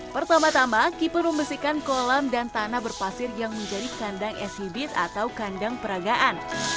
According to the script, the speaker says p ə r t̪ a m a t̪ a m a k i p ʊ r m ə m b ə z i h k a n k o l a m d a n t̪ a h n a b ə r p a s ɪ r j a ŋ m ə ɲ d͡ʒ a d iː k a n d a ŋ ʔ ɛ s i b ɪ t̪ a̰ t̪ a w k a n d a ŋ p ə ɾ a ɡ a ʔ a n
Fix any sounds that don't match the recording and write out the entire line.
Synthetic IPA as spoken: p ə r t̪ a m a t̪ a m a k i p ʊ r m ə m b ə s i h k a n k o l a m d a n t̪ a n a b ə r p a s ɪ r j a ŋ m ə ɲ d͡ʒ a d i k a n d a ŋ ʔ ɛ s i b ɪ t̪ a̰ t̪ a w k a n d a ŋ p ə ɾ a ɡ a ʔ a n